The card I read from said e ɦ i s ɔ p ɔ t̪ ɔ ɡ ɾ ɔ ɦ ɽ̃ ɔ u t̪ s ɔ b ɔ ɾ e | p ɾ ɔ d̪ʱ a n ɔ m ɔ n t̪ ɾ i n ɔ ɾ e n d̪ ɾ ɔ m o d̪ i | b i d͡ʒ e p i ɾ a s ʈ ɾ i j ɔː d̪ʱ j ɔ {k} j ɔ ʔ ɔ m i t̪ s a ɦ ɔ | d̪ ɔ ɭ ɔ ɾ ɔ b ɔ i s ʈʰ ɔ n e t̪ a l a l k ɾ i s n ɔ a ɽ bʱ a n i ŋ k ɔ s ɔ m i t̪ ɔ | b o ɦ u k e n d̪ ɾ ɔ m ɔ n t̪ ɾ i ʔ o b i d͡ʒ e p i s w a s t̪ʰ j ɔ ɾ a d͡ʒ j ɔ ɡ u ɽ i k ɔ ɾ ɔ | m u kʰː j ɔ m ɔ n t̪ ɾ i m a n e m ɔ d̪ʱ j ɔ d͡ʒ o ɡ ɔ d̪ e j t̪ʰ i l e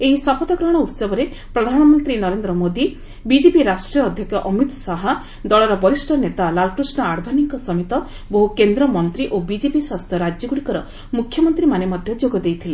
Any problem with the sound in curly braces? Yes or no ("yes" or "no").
no